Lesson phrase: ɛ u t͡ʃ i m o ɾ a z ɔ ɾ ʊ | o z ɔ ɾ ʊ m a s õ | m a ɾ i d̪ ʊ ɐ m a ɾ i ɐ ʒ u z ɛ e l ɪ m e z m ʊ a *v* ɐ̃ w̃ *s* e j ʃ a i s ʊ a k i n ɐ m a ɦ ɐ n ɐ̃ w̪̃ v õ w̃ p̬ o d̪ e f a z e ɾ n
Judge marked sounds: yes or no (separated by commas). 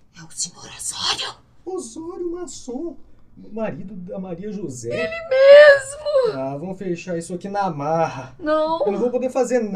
yes, no